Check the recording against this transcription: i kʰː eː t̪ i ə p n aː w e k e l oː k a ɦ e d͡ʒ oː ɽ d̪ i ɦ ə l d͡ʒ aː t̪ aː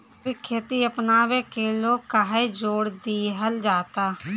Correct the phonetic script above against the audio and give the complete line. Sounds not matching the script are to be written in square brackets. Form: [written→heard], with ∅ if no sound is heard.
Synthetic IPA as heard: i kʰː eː t̪ i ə p n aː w e k e l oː k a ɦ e d͡ʒ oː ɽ d̪ i ɦ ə l d͡ʒ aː t̪ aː